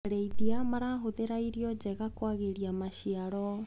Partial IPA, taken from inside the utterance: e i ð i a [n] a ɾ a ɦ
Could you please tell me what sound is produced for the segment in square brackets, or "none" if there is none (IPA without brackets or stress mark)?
m